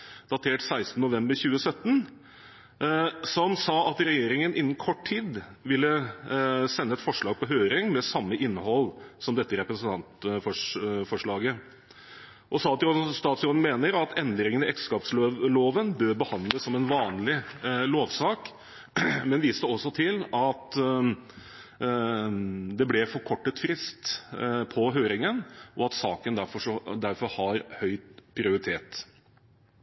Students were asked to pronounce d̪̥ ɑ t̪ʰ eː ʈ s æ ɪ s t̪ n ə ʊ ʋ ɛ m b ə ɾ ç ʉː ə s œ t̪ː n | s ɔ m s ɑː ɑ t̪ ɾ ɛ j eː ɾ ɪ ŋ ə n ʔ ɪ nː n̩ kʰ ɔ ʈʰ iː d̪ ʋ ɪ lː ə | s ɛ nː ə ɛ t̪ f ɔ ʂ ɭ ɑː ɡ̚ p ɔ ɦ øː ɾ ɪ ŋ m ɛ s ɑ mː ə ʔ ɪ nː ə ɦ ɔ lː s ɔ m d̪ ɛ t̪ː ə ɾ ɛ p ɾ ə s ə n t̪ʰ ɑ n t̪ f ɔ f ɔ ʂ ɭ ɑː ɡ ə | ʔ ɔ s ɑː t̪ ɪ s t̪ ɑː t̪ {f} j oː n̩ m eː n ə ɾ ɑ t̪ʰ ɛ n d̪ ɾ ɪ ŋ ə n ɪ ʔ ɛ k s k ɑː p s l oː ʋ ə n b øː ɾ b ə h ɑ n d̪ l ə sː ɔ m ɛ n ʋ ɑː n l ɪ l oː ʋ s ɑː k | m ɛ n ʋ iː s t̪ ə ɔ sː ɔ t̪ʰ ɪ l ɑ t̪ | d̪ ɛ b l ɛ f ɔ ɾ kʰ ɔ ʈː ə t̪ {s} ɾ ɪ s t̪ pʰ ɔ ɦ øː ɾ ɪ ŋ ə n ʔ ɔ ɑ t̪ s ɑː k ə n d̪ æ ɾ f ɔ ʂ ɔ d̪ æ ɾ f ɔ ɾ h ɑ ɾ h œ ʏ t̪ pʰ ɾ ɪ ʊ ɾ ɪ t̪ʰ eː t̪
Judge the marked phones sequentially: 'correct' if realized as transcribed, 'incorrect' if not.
incorrect: s, incorrect: f

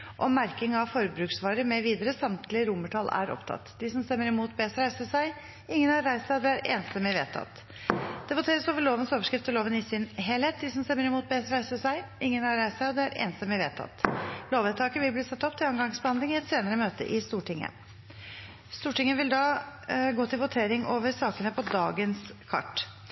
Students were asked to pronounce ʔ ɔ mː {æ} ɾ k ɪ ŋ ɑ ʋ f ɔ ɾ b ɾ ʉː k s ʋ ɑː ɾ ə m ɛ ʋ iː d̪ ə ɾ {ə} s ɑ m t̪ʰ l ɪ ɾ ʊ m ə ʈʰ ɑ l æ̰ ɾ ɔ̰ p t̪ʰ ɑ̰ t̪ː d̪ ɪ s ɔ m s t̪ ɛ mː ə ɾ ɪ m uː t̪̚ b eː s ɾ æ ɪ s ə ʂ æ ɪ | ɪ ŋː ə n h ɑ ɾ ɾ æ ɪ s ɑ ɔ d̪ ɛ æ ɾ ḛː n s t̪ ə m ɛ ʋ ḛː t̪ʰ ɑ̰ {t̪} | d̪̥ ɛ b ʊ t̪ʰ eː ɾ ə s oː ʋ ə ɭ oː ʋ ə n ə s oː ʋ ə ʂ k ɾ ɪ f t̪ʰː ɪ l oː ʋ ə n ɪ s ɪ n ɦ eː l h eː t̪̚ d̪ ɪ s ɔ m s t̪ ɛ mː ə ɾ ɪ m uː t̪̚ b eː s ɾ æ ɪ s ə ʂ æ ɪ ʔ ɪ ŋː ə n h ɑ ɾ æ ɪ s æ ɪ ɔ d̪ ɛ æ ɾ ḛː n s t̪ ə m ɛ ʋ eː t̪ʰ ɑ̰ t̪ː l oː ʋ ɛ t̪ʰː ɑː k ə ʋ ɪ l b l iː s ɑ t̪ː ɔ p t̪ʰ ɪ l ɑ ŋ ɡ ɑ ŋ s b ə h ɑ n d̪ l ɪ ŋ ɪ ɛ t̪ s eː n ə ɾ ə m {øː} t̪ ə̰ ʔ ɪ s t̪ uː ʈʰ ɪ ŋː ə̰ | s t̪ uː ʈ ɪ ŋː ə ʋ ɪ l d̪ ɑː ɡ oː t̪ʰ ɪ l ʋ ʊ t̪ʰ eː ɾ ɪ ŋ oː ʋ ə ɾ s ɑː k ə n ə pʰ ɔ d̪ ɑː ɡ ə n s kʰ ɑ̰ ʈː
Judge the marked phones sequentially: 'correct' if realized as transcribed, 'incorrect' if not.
correct, correct, correct, correct

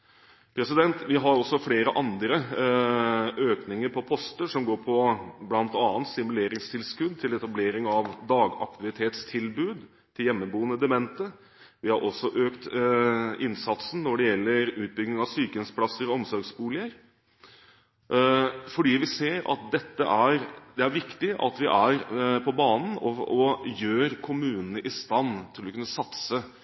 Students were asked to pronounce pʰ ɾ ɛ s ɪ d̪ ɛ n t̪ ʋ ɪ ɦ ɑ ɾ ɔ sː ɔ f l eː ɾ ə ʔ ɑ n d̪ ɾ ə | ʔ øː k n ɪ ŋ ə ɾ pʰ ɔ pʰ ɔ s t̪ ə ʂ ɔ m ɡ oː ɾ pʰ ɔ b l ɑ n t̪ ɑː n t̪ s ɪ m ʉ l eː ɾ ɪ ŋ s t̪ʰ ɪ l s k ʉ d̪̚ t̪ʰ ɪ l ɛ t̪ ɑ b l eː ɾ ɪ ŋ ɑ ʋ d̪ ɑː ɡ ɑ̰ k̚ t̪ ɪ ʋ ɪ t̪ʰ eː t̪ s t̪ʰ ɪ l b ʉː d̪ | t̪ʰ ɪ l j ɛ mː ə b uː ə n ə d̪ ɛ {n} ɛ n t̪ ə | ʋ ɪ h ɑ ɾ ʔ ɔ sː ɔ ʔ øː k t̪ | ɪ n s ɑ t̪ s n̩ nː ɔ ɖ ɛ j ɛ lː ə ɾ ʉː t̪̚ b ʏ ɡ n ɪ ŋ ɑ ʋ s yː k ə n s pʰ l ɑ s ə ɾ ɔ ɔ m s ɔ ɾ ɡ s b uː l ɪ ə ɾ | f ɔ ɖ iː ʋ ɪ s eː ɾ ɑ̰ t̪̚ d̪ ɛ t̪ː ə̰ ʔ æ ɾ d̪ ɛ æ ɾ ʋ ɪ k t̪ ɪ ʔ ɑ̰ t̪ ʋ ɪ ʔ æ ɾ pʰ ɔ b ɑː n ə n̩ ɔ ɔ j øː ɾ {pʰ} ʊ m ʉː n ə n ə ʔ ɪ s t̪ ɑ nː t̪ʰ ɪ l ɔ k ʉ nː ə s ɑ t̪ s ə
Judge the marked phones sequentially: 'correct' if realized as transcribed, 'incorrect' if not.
incorrect: m, incorrect: kʰ

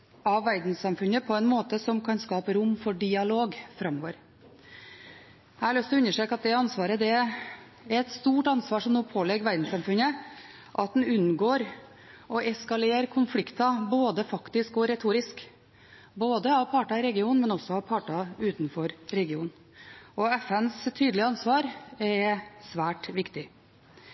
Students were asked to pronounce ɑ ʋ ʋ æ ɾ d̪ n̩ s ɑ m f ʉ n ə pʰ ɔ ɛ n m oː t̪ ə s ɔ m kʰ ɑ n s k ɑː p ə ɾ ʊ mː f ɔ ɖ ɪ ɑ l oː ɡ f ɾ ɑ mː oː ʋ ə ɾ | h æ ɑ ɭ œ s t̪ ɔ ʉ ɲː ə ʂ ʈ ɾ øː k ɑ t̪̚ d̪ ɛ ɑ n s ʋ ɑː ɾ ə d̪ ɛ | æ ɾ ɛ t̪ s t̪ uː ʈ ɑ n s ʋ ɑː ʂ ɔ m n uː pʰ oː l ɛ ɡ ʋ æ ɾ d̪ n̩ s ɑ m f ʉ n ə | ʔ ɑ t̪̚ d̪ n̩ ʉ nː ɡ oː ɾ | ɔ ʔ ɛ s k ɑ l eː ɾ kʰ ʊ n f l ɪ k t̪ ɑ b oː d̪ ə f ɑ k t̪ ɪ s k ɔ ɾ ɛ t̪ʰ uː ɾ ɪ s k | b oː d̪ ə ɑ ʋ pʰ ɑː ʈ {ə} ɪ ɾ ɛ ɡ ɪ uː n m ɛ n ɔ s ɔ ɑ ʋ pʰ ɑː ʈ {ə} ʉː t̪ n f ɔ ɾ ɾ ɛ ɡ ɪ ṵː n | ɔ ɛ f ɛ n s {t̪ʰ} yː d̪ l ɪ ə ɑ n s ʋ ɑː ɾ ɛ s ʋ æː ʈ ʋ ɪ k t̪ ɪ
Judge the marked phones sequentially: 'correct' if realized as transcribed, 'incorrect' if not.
incorrect: ɑ, incorrect: ɑ, correct

